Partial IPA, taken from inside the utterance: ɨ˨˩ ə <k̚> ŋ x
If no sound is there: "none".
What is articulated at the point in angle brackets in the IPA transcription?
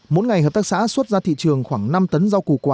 none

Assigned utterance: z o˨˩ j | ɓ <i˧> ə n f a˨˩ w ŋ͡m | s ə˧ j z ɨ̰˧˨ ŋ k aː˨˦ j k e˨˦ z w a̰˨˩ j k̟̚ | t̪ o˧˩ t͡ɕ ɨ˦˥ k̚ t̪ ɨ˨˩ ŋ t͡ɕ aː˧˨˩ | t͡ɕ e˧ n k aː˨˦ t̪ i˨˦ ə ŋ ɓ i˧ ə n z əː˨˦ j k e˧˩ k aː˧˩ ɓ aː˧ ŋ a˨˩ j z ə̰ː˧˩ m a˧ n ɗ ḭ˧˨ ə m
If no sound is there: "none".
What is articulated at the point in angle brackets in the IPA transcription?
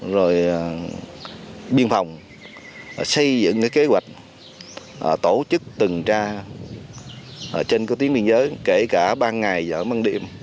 i˧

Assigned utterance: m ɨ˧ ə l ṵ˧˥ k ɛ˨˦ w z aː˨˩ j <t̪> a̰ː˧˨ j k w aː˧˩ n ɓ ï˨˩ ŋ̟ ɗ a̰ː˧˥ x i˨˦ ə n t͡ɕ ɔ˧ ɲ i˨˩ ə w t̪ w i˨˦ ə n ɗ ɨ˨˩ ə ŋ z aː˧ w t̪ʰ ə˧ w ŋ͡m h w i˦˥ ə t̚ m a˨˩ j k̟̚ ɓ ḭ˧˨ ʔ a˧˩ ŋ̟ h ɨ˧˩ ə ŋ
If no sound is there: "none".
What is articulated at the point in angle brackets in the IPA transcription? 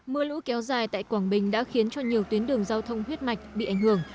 t̪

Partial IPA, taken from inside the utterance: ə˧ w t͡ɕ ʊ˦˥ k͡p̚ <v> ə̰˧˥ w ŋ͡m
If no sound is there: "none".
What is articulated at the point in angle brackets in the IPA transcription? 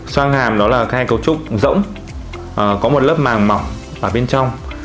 z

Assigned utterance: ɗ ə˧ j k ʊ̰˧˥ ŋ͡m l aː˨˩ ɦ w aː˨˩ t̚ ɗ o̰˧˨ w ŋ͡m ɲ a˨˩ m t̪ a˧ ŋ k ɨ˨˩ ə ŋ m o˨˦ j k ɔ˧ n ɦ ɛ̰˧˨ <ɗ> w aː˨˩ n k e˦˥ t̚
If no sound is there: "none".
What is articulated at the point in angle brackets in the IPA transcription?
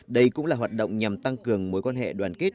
ɗ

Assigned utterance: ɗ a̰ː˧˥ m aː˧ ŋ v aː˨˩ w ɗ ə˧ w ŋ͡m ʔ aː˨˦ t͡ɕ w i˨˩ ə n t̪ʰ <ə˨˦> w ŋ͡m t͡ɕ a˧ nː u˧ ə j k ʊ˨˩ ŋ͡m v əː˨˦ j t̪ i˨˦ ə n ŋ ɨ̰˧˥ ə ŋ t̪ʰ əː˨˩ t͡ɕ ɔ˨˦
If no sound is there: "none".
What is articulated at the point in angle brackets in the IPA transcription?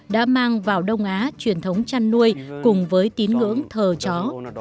ə˨˦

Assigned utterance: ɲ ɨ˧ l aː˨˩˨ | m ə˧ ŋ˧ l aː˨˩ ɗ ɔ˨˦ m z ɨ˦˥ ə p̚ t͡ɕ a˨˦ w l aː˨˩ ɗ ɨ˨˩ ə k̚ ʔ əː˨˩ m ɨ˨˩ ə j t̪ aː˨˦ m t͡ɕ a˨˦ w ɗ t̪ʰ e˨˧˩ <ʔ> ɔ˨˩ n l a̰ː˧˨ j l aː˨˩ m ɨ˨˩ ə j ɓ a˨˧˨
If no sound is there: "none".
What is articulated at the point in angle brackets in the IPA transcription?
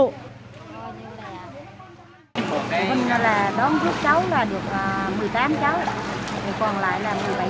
k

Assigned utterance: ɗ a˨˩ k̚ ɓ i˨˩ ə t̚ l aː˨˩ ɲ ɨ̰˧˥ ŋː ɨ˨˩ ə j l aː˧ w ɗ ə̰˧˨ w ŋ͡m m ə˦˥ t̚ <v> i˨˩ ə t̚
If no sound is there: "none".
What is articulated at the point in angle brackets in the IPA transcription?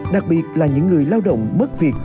v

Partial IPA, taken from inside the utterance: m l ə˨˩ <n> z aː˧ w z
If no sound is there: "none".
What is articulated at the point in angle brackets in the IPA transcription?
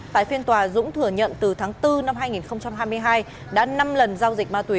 n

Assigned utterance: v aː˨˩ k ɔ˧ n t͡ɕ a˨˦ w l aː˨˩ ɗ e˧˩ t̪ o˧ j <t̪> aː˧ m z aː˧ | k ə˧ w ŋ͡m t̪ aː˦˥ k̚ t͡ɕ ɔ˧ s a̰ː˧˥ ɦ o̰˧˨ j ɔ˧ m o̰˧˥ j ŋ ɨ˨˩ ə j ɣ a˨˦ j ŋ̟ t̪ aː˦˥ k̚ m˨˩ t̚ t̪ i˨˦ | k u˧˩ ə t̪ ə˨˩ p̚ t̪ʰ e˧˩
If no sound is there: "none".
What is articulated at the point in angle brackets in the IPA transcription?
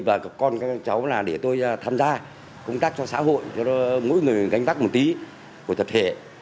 t̪ʰ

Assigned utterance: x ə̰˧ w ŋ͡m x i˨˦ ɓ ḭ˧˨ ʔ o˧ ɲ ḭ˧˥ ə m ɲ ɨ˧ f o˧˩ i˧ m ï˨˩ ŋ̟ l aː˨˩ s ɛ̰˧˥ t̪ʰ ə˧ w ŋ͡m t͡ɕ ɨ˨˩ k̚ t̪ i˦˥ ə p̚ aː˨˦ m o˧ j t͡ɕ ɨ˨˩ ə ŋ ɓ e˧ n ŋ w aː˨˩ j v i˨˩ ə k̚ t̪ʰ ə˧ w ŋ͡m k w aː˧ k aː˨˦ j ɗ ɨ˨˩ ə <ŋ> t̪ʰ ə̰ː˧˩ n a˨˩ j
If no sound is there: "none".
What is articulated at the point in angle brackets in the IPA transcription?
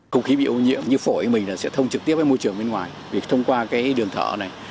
ŋ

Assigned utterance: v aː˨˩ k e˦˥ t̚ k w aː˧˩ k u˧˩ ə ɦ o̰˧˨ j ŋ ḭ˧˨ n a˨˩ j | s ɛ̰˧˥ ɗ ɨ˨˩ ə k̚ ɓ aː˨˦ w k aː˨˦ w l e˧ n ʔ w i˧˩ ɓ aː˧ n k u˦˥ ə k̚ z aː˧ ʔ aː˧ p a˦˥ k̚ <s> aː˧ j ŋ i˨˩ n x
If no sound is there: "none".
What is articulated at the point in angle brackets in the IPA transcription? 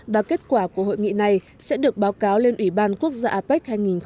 h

